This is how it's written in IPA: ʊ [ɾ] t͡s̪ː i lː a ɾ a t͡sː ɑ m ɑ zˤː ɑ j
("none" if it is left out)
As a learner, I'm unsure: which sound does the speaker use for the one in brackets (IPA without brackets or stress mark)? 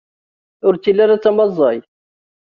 ɾ